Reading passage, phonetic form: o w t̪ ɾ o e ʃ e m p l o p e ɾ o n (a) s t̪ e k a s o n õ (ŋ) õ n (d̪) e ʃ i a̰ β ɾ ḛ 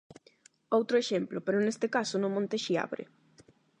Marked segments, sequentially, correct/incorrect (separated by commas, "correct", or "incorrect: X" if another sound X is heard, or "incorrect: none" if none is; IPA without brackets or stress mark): incorrect: e, incorrect: m, incorrect: t̪